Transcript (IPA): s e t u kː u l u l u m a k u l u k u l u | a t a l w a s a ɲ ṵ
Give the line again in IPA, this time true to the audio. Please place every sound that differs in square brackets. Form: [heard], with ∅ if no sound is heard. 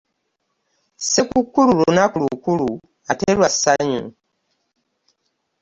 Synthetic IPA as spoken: s e [k] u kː u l u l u [n] a k u l u k u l u | a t [e] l w a s a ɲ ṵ